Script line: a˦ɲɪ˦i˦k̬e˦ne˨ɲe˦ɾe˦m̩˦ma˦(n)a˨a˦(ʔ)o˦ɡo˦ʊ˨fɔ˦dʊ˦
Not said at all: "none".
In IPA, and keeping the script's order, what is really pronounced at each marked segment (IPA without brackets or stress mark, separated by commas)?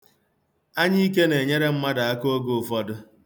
d, k